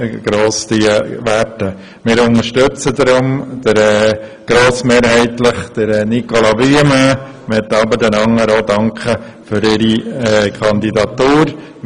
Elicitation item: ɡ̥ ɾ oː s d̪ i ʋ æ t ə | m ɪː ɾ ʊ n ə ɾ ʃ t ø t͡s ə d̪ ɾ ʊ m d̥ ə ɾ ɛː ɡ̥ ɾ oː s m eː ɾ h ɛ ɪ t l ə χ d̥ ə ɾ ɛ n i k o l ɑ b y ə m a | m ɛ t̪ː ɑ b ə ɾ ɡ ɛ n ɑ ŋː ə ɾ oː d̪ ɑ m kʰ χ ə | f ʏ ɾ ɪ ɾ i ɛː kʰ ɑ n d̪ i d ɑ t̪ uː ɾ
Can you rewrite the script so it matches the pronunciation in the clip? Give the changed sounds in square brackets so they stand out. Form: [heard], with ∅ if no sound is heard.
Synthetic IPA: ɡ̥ ɾ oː s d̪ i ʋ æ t ə | m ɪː ɾ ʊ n ə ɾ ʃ t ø t͡s ə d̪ ɾ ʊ m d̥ ə ɾ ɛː ɡ̥ ɾ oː s m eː ɾ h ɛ ɪ t l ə χ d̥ ə ɾ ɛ n i k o l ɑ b y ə m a | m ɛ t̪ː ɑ b ə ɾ [d] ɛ n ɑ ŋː ə ɾ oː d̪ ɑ [ŋ] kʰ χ ə | f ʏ ɾ ɪ ɾ i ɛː kʰ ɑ n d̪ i d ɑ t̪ uː ɾ